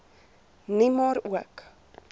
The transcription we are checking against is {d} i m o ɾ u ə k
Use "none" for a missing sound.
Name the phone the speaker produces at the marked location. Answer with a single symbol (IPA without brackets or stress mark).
n